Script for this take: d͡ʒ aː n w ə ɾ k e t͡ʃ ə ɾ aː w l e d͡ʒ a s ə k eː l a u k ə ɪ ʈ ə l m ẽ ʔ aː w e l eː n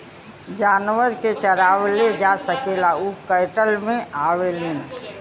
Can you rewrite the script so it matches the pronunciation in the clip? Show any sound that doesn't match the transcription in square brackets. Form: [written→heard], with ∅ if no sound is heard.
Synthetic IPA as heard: d͡ʒ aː n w ə ɾ k e t͡ʃ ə ɾ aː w l e d͡ʒ a s ə k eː l a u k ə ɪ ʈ ə l m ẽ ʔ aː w e l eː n